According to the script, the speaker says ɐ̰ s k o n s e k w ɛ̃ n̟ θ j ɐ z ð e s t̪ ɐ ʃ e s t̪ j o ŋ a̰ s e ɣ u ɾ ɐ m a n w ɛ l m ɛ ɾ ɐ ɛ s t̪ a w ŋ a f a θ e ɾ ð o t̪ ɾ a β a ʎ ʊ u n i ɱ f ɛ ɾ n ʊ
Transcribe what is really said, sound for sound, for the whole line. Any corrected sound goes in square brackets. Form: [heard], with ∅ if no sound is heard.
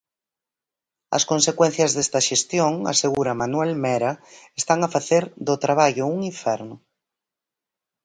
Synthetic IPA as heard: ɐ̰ s k o n s e k w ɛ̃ n̟ θ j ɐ z ð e s t̪ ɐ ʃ e s t̪ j o ŋ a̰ s e ɣ u ɾ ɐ m a n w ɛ l m ɛ ɾ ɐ [e] s t̪ a [∅] ŋ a f a θ e ɾ ð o t̪ ɾ a β a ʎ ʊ u [ŋ] i ɱ f ɛ ɾ n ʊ